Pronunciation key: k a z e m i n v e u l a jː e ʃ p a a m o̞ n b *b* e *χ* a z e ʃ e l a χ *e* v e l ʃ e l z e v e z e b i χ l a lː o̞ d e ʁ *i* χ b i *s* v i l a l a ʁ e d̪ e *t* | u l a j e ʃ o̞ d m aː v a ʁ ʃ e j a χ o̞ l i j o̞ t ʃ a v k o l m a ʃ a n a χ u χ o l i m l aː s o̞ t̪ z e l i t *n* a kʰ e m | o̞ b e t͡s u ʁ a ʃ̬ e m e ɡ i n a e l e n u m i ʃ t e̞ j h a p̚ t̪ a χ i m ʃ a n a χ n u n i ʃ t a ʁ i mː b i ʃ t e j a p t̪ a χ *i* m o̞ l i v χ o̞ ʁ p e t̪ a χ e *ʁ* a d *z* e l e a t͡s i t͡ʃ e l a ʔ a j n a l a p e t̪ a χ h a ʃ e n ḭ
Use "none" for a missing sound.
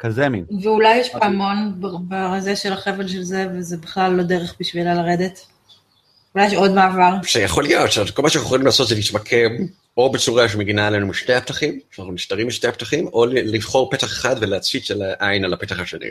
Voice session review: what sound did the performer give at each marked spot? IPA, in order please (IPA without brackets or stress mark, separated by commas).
b, ʁ, e, e, ʃ, t, m, i, χ, v